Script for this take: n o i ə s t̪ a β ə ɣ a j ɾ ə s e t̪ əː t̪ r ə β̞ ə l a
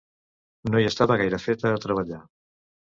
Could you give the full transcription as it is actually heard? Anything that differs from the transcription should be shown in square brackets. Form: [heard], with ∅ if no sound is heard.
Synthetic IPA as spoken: n o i ə s t̪ a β ə ɣ a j ɾ ə [f] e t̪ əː t̪ [ɾ] ə β̞ ə [ʎ] a